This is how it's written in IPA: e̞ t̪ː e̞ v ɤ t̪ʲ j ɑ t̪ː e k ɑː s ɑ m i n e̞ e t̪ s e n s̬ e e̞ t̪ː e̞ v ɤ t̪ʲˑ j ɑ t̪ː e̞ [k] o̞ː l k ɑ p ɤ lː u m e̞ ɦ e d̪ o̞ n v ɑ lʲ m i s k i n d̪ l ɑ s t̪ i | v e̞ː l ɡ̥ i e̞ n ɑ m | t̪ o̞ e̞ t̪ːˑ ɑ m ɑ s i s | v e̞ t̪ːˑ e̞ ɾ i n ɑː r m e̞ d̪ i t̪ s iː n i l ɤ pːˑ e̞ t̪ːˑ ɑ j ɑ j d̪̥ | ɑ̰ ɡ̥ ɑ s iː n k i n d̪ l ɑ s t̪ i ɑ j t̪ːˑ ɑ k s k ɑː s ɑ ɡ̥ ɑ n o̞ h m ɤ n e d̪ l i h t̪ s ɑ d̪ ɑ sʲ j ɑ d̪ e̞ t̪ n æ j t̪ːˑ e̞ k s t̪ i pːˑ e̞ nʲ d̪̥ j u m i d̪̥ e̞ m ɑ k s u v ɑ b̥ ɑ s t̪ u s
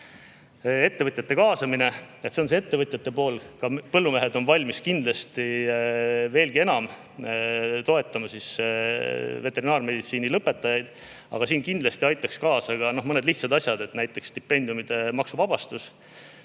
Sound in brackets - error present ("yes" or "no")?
yes